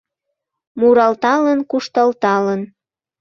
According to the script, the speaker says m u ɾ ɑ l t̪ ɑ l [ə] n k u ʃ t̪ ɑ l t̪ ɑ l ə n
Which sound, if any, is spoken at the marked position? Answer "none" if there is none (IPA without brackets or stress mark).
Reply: ə